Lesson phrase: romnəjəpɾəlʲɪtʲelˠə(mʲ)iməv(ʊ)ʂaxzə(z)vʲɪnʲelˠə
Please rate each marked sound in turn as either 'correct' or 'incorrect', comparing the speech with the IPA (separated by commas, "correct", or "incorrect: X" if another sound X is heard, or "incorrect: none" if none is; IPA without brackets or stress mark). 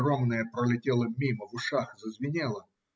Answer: correct, correct, correct